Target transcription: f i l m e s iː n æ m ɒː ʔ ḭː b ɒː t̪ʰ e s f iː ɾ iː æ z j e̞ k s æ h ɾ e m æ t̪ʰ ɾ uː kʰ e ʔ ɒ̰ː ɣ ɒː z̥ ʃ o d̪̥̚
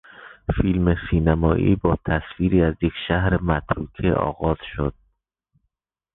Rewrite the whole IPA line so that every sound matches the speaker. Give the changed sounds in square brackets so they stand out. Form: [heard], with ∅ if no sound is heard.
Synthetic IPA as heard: f i l m e s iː n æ m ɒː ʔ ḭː b ɒː t̪ʰ [æ] s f iː ɾ iː æ z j e̞ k [ʃ] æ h ɾ e m æ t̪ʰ ɾ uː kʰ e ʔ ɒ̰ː ɣ ɒː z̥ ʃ o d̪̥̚